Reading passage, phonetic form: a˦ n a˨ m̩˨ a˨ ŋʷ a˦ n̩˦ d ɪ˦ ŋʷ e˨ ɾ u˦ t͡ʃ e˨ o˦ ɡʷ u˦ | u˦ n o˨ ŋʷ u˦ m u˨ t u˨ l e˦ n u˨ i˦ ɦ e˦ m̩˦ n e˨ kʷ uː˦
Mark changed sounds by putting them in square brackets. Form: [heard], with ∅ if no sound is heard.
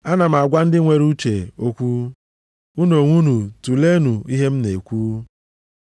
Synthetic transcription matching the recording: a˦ n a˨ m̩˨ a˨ [ɡʷ] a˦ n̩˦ d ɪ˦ ŋʷ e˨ ɾ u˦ t͡ʃ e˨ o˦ [kʷ] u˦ | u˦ n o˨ ŋʷ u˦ [n] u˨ t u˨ l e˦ n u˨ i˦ ɦ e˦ m̩˦ n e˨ kʷ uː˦

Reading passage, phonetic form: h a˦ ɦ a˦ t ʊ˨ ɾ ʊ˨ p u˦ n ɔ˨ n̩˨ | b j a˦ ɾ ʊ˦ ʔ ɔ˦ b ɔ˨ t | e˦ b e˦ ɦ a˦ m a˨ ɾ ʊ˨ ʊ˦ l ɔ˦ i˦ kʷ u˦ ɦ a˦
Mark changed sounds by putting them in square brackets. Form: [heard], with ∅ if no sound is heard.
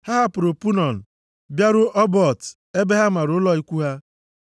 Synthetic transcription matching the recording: h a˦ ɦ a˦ [p] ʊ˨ ɾ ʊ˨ p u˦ n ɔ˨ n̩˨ | b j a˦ ɾ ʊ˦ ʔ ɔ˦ b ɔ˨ t | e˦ b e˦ ɦ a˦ m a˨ ɾ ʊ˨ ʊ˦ l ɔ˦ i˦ kʷ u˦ ɦ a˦

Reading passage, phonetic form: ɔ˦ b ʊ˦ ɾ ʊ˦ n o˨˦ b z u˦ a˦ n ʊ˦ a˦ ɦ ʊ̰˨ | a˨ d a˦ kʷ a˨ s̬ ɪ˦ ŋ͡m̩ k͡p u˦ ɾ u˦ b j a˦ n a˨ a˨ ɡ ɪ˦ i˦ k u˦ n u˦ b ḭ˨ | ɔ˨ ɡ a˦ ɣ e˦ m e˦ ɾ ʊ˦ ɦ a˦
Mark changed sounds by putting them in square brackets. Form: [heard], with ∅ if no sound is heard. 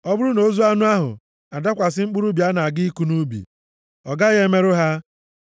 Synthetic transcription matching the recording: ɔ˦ b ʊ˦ ɾ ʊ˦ n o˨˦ [∅] z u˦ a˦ n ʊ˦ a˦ ɦ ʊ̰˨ | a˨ d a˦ kʷ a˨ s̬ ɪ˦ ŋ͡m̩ k͡p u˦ ɾ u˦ b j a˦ n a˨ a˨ ɡ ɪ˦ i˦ k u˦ n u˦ b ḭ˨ | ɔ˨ ɡ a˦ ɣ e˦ m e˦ ɾ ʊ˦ ɦ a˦

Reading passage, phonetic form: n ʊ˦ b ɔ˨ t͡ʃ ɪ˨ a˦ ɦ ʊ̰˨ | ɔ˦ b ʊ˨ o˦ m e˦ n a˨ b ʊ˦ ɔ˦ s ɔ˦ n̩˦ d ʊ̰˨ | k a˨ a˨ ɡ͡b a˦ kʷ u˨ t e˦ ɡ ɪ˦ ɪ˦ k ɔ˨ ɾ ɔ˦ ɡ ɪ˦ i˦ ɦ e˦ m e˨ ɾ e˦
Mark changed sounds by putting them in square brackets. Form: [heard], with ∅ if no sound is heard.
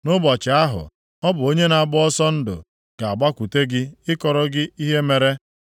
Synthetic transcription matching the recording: n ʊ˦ b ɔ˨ t͡ʃ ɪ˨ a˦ ɦ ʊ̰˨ | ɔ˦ b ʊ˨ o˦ [ɲ] e˦ n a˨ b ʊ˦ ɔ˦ s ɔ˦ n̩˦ d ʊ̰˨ | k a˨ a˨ ɡ͡b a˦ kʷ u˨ t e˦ ɡ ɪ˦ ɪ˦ k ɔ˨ ɾ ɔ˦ ɡ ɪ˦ i˦ ɦ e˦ m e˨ ɾ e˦

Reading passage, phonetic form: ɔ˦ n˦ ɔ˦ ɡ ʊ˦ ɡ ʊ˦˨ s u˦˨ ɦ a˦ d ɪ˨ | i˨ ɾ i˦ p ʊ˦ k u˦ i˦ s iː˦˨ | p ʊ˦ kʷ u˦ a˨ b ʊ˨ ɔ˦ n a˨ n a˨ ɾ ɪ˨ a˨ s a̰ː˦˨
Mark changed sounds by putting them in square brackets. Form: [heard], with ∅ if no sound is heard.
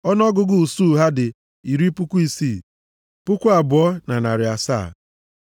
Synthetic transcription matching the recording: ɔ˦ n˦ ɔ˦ ɡ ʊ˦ ɡ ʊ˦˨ s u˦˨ ɦ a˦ d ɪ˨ | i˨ ɾ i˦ p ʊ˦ k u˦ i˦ s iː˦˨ | p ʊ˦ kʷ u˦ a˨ b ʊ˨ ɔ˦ n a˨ n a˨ ɾ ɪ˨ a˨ s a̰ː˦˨

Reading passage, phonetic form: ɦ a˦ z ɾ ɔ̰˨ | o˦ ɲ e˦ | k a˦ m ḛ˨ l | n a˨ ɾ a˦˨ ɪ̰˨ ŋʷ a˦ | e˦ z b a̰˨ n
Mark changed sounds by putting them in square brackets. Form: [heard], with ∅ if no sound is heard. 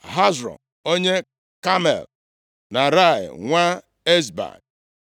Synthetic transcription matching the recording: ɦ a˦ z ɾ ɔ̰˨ | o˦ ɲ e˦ | k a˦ m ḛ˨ l | n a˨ ɾ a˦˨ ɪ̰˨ ŋʷ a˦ | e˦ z b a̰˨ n

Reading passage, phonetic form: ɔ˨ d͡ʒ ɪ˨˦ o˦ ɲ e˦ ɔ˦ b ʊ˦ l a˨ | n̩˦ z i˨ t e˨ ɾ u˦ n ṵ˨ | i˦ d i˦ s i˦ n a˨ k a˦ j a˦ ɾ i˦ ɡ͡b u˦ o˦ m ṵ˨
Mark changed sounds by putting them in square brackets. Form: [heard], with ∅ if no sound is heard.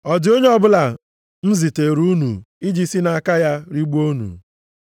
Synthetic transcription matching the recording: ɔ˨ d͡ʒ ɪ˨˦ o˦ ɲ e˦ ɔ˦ b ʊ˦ l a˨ | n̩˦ z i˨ t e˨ ɾ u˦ n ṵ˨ | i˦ [d͡ʒ] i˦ s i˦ n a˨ k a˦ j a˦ ɾ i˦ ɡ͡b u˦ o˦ [n] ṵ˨

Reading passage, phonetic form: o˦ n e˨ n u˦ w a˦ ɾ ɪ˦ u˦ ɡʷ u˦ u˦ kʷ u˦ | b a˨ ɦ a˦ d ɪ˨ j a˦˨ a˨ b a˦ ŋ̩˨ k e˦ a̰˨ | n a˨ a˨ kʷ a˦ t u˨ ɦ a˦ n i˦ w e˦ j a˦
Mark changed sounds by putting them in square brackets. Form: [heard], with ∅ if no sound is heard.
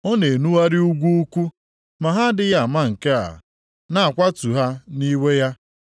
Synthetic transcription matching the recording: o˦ n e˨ n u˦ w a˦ ɾ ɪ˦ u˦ ɡʷ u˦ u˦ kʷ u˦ | [m] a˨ ɦ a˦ d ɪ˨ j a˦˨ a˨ [m] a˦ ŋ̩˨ k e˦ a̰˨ | n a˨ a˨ kʷ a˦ t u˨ ɦ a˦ n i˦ w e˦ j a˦

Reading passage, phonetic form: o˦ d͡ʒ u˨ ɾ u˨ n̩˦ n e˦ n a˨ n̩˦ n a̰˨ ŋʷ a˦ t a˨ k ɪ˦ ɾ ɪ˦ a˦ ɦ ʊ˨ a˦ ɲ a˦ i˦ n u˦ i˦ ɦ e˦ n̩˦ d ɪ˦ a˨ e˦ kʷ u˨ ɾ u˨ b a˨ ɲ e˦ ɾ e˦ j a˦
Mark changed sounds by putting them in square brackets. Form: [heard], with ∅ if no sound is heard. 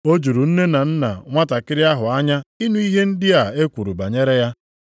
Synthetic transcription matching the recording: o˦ d͡ʒ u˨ ɾ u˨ n̩˦ n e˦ n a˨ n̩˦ n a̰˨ ŋʷ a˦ t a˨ k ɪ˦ ɾ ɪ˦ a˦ ɦ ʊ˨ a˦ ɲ a˦ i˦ n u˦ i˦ ɦ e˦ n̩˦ d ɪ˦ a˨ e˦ kʷ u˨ ɾ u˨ b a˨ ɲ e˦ ɾ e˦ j a˦

